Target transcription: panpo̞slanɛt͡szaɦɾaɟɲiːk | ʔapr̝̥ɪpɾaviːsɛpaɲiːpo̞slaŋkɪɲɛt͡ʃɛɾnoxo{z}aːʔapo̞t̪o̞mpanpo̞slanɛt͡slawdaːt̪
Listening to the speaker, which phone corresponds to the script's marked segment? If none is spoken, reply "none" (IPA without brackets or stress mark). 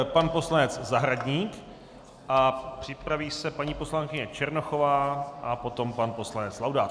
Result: v